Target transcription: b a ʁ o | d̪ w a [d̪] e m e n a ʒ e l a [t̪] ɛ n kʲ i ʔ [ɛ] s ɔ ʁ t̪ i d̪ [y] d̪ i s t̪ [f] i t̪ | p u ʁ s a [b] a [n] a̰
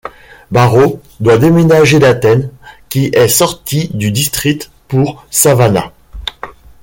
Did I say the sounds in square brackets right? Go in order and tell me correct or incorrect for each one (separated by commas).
correct, correct, correct, correct, incorrect, incorrect, correct